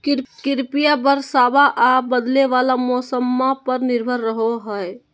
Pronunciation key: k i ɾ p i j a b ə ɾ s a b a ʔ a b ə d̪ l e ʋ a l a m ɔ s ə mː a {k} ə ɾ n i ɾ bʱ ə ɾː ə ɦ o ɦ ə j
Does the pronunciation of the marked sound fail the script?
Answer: yes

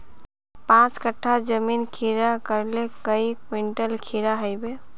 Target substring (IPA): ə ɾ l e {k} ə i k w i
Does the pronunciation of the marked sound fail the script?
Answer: no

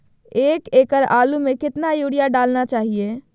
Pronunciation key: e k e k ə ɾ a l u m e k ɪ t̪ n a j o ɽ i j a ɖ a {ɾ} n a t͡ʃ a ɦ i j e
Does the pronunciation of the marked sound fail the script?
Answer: yes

